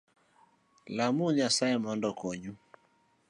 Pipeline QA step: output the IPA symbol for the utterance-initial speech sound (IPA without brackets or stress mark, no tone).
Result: l